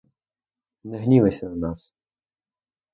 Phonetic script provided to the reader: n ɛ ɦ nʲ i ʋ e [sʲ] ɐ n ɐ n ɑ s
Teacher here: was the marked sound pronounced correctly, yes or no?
yes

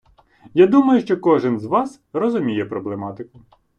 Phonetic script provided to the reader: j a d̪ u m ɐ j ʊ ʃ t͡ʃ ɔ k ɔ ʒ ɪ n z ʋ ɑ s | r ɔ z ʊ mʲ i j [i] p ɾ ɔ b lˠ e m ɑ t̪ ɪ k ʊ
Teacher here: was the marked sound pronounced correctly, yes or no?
no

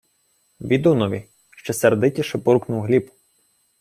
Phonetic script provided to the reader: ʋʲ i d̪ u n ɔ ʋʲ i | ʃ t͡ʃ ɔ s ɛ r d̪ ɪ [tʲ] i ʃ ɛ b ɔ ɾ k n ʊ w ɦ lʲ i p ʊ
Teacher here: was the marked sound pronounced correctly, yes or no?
yes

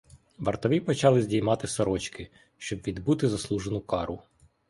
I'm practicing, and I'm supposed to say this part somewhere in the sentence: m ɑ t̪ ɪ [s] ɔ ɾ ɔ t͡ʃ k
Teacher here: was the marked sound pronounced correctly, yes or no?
yes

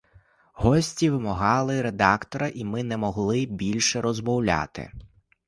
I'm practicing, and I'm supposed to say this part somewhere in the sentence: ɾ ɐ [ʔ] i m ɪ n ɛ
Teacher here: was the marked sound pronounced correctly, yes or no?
yes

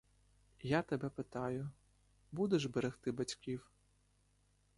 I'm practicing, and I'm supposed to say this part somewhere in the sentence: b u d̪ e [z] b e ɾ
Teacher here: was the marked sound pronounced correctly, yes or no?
no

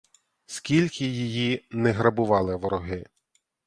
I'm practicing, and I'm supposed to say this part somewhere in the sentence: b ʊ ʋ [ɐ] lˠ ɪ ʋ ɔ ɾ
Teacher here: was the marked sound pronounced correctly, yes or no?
no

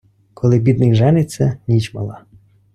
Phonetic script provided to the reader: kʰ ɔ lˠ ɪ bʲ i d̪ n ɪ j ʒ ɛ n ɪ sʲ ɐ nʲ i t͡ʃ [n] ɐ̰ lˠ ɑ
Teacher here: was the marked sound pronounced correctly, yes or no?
no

